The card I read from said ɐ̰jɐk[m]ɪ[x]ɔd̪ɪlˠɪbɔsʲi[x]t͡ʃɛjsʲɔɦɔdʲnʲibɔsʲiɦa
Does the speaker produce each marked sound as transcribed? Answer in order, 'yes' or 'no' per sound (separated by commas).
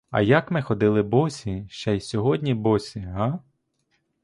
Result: yes, yes, no